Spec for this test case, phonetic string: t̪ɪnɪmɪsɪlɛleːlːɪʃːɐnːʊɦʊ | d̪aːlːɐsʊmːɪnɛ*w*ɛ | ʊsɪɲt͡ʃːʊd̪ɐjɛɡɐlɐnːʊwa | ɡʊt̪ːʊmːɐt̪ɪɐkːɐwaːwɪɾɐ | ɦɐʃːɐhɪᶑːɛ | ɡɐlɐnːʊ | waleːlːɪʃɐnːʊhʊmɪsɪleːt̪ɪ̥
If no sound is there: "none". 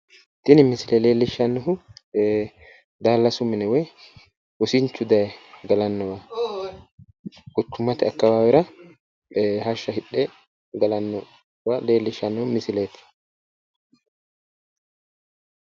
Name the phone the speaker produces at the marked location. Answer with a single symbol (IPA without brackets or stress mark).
w